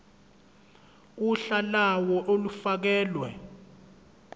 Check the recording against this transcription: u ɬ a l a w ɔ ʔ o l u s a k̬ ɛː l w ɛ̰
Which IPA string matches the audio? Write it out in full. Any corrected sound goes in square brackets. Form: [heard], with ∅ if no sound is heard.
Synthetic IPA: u ɬ a l a w ɔ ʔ o l u [f] a k̬ ɛː l w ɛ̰